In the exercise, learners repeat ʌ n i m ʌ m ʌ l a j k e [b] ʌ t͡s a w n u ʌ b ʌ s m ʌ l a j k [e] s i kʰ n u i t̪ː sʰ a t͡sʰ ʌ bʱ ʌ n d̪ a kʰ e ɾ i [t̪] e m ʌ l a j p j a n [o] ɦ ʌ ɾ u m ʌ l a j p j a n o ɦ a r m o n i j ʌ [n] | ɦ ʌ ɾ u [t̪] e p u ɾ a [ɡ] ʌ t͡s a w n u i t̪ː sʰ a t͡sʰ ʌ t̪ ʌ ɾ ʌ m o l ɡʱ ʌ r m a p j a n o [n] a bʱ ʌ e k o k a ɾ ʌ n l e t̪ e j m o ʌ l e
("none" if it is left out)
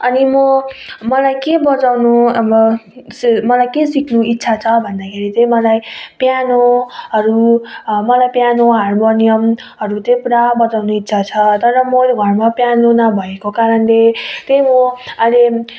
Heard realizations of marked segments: b, e, t̪, o, m, t̪, b, n

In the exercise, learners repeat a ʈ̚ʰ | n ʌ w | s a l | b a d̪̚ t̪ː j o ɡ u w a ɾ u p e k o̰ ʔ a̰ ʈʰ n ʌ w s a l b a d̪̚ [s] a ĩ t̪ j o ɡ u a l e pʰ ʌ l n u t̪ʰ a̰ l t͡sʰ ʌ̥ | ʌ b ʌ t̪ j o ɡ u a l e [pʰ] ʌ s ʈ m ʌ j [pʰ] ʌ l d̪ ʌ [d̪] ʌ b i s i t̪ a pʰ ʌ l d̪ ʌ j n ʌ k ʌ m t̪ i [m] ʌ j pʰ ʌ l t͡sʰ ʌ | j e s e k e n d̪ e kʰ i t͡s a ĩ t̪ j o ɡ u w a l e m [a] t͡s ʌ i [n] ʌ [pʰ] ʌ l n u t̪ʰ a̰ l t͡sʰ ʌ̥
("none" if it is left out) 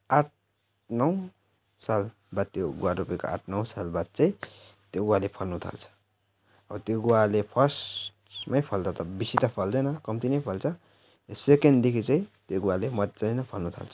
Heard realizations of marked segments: t͡s, pʰ, pʰ, t̪, n, ʌ, n, pʰ

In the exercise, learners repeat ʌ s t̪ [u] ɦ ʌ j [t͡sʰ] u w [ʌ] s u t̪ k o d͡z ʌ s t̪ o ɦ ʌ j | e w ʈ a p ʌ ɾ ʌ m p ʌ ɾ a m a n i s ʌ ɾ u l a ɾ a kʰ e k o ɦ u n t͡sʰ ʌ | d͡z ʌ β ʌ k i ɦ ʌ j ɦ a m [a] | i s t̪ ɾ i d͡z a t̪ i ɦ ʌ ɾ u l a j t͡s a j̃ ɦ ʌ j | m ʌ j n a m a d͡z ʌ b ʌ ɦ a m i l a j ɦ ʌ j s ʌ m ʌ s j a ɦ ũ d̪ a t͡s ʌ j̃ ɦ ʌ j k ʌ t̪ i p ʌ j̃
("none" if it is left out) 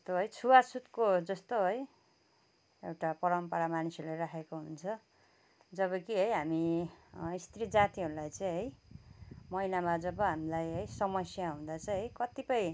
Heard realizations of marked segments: o, t͡sʰ, a, i

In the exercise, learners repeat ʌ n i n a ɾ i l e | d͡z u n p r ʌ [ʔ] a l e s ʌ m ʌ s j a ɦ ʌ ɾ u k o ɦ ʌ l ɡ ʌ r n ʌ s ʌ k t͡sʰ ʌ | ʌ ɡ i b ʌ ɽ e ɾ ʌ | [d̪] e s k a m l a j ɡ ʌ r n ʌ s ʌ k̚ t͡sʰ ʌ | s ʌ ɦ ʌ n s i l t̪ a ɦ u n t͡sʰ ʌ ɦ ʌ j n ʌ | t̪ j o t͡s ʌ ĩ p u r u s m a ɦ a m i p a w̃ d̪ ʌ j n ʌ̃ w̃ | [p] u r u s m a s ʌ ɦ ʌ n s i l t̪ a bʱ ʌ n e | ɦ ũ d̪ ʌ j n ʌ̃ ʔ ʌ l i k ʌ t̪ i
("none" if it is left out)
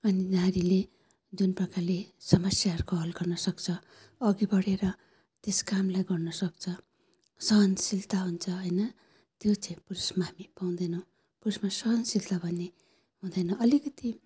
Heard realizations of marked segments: k, t̪, p

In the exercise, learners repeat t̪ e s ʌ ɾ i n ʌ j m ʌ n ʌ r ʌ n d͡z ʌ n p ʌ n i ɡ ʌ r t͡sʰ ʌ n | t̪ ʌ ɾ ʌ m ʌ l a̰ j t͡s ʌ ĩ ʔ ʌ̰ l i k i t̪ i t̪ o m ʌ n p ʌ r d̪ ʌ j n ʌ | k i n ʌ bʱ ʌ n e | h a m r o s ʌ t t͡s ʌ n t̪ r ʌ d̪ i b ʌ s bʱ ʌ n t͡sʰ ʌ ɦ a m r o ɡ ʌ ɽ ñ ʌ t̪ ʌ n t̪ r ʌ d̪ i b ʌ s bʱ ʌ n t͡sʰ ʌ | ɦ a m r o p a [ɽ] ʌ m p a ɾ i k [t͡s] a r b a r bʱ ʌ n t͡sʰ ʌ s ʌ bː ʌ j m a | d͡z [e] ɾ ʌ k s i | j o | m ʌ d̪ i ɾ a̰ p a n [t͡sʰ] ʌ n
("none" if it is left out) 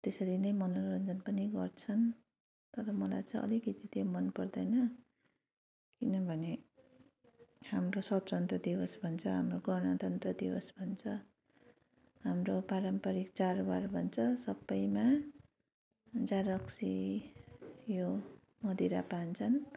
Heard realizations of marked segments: ɾ, t͡s, a, t͡sʰ

